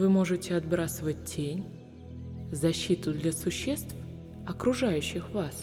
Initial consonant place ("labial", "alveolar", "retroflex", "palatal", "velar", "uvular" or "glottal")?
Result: labial